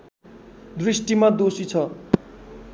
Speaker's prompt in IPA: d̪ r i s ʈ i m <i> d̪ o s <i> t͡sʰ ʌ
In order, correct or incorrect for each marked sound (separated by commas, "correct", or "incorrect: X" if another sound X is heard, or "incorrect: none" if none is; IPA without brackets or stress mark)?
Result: incorrect: a, correct